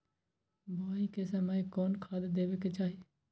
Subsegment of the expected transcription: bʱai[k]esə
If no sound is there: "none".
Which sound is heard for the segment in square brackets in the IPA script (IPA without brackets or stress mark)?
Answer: k